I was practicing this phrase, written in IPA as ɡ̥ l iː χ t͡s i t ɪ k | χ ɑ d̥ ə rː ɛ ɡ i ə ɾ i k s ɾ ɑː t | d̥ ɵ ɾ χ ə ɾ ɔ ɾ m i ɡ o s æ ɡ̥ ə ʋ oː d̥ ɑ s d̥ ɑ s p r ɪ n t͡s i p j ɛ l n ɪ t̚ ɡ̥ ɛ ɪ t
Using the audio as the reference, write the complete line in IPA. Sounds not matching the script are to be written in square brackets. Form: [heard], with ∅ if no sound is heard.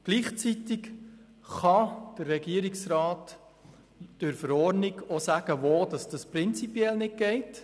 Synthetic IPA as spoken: ɡ̥ l iː χ t͡s i t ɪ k | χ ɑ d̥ ə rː ɛ ɡ i ə ɾ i k s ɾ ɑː t | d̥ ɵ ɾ [f] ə ɾ ɔ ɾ [n] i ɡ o s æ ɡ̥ ə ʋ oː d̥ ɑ s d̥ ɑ s p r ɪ n t͡s i p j ɛ l n ɪ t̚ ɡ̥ ɛ ɪ t